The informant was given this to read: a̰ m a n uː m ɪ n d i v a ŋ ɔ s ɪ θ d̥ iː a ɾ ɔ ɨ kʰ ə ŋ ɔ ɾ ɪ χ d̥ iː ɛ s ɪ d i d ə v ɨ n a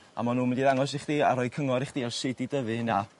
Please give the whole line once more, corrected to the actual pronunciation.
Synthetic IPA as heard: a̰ m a n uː m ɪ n d i ð a ŋ ɔ s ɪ χ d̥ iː a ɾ ɔ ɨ kʰ ə ŋ ɔ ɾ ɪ χ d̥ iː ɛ s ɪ d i d ə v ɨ n a